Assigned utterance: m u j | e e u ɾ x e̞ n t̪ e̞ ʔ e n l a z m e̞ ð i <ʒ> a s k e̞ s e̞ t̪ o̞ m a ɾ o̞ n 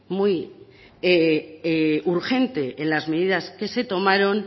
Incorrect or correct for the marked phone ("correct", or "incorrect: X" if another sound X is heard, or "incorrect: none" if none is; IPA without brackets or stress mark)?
incorrect: ð